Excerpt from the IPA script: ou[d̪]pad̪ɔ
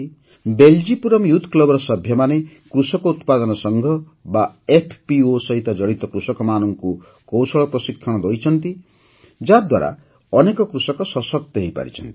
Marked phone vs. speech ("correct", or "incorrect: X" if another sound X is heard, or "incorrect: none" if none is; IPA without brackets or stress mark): incorrect: t̪